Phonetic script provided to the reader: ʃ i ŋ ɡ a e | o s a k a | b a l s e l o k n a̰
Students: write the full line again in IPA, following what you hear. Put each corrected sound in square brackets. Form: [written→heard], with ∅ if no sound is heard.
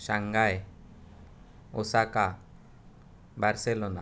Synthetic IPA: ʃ [i→a] ŋ ɡ a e | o s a k a | b a [l→ɾ] s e l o [k→∅] n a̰

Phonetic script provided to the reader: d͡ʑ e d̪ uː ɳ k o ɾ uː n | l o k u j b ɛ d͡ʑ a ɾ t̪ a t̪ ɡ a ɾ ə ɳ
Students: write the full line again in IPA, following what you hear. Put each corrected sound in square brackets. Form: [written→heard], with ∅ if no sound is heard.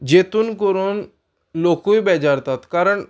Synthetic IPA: d͡ʑ e [d̪→t̪] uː [ɳ→n] k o ɾ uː n | l o k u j b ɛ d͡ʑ a ɾ t̪ a t̪ [ɡ→k] a ɾ ə ɳ

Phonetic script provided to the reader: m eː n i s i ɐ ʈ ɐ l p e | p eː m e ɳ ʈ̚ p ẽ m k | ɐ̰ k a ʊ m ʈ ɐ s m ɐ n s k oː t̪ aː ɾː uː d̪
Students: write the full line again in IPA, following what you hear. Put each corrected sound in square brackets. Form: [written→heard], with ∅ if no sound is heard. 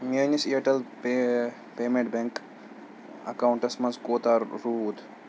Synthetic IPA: m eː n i s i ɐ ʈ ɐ l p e | p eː m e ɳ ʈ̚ [p→b] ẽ [m→ŋ] k | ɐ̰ k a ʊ [m→ɳ] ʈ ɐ s m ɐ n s k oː t̪ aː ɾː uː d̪

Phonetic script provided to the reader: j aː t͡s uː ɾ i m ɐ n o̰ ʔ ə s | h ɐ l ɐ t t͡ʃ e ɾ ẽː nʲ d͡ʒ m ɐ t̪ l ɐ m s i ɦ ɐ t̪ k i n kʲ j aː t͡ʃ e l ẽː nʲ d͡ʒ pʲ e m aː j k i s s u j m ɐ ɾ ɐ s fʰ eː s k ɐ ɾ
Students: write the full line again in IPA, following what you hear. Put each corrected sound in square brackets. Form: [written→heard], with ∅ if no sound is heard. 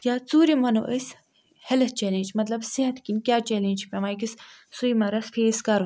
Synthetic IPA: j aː t͡s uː ɾ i m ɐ n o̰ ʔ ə s | h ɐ l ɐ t t͡ʃ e [ɾ→l] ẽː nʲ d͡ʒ m ɐ t̪ l ɐ [m→b] s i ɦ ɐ t̪ k i n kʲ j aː t͡ʃ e l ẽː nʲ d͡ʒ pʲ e m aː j k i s s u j m ɐ ɾ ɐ s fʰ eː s k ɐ ɾ

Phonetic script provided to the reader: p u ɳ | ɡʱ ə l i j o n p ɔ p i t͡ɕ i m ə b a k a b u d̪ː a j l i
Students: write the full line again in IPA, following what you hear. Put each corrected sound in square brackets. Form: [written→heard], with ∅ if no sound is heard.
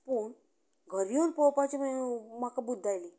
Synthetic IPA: p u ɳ | ɡʱ ə [l→ɾ] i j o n p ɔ p [i→a] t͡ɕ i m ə [b→m] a k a b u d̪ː a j l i

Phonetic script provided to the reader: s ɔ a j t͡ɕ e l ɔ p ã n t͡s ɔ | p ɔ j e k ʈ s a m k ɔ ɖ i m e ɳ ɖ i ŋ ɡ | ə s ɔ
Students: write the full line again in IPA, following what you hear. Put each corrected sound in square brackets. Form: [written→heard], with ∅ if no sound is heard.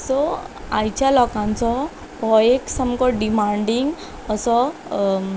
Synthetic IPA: s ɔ a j t͡ɕ [e→a] l ɔ [p→k] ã n t͡s ɔ | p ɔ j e k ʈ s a m k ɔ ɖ i m [e→a] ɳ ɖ i ŋ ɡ | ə s ɔ

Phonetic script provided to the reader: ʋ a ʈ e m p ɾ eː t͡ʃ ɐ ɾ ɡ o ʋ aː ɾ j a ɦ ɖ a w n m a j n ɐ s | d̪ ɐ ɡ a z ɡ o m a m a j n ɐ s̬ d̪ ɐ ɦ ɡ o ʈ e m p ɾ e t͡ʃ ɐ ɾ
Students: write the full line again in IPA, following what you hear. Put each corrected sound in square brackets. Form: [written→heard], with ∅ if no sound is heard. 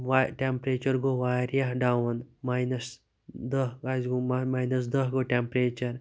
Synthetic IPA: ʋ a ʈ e m p ɾ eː t͡ʃ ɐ ɾ ɡ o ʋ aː ɾ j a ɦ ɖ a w n m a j n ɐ s | d̪ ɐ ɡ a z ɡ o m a m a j n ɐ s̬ d̪ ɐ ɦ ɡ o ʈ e m p ɾ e t͡ʃ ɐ ɾ

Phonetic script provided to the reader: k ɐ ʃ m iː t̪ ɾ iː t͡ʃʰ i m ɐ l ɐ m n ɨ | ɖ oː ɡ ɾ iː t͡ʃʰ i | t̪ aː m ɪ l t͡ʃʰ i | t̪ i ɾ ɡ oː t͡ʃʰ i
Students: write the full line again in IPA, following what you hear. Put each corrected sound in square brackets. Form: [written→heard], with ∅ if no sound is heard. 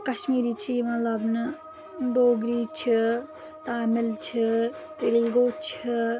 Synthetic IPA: k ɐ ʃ m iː [t̪→∅] ɾ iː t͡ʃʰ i m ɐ l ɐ [m→b] n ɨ | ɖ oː ɡ ɾ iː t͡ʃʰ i | t̪ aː m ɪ l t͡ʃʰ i | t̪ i [ɾ→l] ɡ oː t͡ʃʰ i

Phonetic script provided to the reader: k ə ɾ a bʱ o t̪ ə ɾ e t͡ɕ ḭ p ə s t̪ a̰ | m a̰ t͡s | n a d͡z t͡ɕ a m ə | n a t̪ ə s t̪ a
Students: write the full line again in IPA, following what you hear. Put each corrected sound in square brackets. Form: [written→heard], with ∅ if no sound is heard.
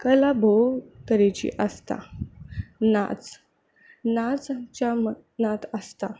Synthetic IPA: k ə [ɾ→l] a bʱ o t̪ ə ɾ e t͡ɕ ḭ [p→ʔ] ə s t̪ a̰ | [m→n] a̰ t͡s | n a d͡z t͡ɕ a m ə | n a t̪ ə s t̪ a

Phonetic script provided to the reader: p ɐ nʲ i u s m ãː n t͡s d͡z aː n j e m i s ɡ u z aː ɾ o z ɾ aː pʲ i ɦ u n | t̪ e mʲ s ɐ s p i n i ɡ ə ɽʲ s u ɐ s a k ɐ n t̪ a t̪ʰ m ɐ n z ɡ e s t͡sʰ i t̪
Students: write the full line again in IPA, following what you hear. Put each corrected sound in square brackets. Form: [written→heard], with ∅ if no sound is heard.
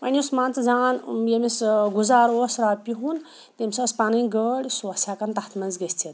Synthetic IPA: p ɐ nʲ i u s m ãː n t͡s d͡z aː n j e m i s ɡ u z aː ɾ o [z→s] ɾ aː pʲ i ɦ u n | t̪ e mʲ s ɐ s p [i→a] n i ɡ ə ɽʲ s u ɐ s a k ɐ n t̪ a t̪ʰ m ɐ n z ɡ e s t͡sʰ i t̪

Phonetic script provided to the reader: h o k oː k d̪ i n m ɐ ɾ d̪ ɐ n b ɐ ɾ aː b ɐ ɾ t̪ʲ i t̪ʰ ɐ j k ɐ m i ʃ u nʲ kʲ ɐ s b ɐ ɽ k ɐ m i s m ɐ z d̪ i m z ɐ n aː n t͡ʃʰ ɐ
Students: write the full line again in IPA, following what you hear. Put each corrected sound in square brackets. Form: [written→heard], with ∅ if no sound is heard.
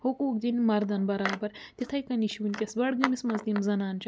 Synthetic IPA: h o k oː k d̪ i n m ɐ ɾ d̪ ɐ n b ɐ ɾ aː b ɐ ɾ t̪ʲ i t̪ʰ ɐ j k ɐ [m→n] i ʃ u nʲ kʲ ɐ s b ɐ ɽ [k→ɡ] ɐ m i s m ɐ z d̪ i m z ɐ n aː n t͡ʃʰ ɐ

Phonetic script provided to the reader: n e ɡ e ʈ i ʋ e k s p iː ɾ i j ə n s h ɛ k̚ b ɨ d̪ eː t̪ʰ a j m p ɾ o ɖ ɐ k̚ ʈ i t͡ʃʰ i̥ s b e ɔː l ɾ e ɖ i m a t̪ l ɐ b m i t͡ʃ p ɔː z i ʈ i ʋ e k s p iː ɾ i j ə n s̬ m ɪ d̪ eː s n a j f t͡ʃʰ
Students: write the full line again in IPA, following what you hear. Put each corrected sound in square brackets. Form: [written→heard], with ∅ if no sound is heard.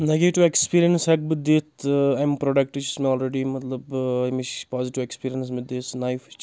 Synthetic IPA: n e ɡ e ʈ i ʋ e k s p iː ɾ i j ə n s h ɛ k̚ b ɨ d̪ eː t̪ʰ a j m p ɾ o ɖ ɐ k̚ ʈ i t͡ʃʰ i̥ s [b→m] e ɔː l ɾ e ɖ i m [a→ɐ] t̪ l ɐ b m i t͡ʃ p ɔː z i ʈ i ʋ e k s p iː ɾ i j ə n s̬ m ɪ d̪ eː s n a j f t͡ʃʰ

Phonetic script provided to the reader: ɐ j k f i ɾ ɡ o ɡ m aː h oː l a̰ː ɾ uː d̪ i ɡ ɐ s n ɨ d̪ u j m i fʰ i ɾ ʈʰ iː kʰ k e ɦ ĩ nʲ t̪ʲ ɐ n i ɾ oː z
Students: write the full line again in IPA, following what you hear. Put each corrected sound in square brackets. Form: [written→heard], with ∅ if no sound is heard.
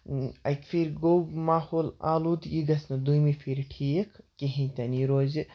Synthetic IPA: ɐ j k f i ɾ ɡ o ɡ m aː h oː l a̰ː [ɾ→l] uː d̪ i ɡ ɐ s n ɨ d̪ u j m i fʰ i ɾ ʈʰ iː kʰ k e ɦ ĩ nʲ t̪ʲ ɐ n i ɾ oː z

